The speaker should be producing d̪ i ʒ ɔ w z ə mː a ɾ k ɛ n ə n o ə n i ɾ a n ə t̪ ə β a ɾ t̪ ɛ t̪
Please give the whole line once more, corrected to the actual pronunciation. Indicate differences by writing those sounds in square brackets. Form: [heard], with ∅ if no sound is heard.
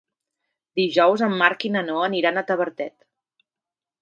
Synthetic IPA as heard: d̪ i ʒ ɔ w z ə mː a ɾ k [i] n ə n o ə n i ɾ a n ə t̪ ə β [ə] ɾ t̪ ɛ t̪